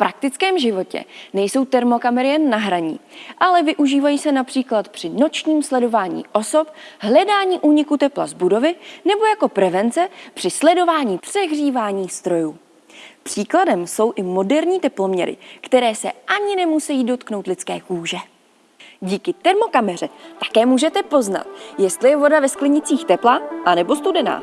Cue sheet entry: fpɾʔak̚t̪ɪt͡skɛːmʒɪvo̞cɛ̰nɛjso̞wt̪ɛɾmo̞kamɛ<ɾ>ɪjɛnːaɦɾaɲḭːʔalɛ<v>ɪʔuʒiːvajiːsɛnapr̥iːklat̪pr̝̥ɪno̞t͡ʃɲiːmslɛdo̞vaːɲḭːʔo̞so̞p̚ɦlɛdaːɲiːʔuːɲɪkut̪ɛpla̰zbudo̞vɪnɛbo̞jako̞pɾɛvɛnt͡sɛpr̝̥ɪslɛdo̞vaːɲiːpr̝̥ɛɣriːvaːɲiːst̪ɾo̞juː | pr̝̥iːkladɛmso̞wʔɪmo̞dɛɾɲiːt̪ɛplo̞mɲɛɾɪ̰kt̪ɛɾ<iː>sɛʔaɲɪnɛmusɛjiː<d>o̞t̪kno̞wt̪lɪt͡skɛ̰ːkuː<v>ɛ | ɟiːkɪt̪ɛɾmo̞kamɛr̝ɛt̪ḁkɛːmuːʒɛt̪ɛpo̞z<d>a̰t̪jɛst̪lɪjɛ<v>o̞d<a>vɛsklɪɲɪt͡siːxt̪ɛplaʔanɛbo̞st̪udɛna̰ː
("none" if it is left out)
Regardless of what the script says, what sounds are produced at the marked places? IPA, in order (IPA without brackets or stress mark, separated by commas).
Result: ɾ, v, ɛː, d, ʒ, n, v, a